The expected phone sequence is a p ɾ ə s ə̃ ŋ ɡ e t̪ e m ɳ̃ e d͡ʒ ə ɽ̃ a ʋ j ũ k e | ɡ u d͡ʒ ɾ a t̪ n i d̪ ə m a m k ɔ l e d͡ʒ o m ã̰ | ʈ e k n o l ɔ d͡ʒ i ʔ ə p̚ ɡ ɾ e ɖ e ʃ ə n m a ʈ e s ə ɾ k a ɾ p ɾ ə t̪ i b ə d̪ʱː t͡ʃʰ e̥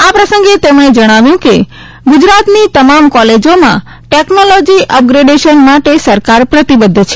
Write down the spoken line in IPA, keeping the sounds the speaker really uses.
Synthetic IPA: a p ɾ ə s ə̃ ŋ ɡ e t̪ e m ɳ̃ e d͡ʒ ə ɽ̃ a ʋ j ũ k e | ɡ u d͡ʒ ɾ a t̪ n i t̪ ə m a m k ɔ l e d͡ʒ o m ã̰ | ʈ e k n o l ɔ d͡ʒ i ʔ ə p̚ ɡ ɾ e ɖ e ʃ ə n m a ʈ e s ə ɾ k a ɾ p ɾ ə t̪ i b ə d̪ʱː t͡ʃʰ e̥